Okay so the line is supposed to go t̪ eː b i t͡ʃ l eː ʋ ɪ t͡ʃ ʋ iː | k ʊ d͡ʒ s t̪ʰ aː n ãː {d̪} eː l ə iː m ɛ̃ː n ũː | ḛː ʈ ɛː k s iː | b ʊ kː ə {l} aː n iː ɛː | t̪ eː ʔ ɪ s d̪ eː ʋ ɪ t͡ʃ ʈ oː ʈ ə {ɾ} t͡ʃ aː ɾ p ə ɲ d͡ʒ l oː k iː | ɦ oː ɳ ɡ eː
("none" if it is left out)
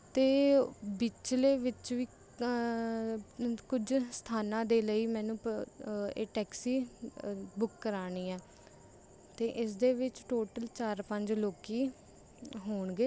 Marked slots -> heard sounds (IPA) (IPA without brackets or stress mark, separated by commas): d̪, ɾ, l